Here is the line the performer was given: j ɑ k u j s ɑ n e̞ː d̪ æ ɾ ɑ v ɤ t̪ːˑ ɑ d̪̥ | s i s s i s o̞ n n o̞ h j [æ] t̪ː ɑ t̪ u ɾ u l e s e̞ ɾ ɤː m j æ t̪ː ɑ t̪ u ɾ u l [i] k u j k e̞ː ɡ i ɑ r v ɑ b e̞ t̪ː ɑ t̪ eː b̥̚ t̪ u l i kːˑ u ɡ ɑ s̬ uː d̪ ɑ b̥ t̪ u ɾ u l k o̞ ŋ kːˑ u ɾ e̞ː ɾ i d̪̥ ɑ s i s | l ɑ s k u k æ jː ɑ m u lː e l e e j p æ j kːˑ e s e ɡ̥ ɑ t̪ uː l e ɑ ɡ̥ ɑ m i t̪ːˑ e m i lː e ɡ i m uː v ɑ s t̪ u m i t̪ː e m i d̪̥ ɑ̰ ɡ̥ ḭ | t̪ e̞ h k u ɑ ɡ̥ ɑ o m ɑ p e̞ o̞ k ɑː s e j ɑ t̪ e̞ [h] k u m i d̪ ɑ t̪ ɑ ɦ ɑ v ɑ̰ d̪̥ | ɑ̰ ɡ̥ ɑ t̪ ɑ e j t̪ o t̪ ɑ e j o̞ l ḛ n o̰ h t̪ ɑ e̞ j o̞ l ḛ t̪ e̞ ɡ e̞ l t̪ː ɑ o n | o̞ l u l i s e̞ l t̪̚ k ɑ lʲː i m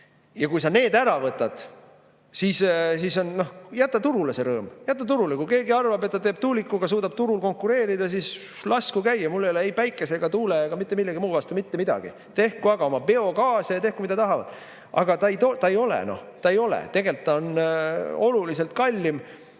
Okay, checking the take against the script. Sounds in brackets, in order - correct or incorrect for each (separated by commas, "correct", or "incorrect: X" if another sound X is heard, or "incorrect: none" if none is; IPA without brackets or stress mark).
correct, incorrect: e, correct